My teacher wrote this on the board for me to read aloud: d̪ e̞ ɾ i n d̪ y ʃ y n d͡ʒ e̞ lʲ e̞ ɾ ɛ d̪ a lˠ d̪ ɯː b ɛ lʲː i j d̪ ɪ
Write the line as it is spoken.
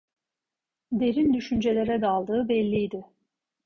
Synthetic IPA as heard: d̪ e̞ ɾ i n d̪ y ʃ y n d͡ʒ e̞ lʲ e̞ ɾ ɛ d̪ a lˠ d̪ ɯː b ɛ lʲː i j d̪ ɪ